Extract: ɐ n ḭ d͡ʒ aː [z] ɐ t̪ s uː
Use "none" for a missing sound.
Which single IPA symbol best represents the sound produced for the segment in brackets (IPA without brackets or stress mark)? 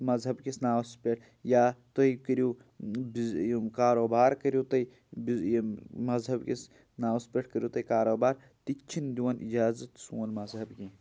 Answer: z